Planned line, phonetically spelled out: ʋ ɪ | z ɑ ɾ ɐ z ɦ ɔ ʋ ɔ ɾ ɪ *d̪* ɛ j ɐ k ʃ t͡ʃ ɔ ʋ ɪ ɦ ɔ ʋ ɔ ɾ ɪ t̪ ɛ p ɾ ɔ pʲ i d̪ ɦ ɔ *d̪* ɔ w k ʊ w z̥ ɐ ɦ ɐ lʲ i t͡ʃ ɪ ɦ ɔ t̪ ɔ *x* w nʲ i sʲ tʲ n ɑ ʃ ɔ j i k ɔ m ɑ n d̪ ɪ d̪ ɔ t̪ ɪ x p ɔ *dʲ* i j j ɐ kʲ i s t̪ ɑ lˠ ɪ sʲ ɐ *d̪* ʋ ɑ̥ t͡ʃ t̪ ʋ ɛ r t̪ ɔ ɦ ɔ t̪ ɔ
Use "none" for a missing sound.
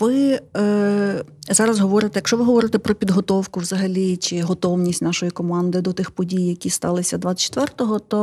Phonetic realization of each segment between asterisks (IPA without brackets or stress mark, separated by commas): t̪, t̪, none, dʲ, d̪